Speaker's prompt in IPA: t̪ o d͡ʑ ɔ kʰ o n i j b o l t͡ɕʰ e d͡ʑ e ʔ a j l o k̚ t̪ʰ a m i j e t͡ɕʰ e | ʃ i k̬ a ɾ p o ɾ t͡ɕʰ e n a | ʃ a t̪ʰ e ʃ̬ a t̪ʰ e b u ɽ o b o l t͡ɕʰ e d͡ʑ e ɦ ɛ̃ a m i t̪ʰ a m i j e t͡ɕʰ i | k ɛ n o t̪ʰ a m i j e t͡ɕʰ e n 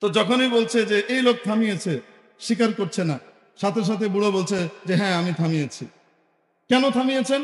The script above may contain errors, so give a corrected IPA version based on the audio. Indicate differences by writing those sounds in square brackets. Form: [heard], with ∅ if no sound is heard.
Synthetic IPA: t̪ o d͡ʑ ɔ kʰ o n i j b o l t͡ɕʰ e d͡ʑ e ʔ [e] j l o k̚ t̪ʰ a m i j e t͡ɕʰ e | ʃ i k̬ a ɾ [k] o ɾ t͡ɕʰ e n a | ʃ a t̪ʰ e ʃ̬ a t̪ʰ e b u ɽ o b o l t͡ɕʰ e d͡ʑ e ɦ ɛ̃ a m i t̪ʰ a m i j e t͡ɕʰ i | k ɛ n o t̪ʰ a m i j e t͡ɕʰ e n